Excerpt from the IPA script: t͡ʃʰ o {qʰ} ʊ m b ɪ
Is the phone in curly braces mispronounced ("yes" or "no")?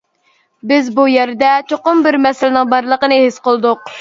yes